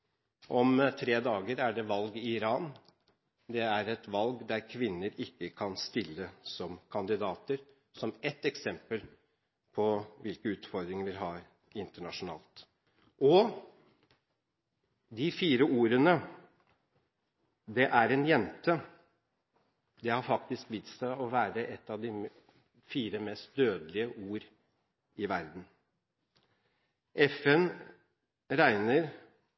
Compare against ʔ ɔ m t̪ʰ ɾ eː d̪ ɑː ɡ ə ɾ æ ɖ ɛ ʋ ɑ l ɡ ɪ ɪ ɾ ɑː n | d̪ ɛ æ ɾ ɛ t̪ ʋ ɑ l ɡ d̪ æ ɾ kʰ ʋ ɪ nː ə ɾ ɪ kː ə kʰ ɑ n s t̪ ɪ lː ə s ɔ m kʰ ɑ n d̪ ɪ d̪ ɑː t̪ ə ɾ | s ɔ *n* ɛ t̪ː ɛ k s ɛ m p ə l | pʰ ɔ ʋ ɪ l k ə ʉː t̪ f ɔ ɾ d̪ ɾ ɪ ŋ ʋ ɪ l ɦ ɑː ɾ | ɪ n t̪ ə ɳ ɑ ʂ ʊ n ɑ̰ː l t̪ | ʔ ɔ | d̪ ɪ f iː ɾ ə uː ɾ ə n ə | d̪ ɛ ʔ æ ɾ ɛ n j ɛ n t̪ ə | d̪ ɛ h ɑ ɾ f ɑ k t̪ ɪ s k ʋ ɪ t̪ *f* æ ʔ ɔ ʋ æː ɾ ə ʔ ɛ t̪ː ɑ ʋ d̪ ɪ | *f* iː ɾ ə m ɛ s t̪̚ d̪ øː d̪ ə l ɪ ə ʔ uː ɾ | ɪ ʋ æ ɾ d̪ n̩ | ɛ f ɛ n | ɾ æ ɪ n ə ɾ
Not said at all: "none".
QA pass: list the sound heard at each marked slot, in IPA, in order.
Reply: m, s, f

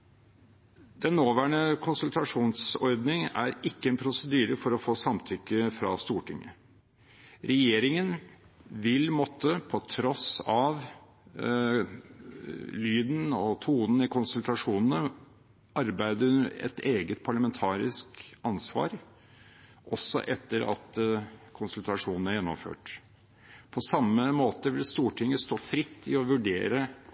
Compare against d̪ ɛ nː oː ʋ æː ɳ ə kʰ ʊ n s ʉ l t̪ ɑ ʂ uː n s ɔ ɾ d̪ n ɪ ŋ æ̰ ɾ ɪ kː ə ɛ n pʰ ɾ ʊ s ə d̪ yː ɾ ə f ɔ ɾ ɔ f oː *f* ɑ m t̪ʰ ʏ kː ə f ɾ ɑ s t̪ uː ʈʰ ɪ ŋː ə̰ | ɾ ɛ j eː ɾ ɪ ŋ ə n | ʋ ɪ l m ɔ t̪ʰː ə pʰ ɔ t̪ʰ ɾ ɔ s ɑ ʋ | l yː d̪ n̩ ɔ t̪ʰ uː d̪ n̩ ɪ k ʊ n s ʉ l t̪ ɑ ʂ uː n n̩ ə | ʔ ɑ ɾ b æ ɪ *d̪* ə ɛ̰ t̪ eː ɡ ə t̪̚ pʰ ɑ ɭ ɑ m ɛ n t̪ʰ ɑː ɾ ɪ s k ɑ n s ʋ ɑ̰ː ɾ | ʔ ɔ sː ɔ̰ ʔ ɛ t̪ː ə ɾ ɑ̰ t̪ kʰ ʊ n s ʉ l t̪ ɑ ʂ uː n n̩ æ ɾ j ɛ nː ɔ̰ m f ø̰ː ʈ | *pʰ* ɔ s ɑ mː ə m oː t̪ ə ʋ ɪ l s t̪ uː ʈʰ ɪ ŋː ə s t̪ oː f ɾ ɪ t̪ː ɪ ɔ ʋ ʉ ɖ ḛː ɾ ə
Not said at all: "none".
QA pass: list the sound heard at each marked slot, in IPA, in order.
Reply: s, d̪, pʰ

